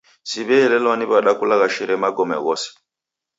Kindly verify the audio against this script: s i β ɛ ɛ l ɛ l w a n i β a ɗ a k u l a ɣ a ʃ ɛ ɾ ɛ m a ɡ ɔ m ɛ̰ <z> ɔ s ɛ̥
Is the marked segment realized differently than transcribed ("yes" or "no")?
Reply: yes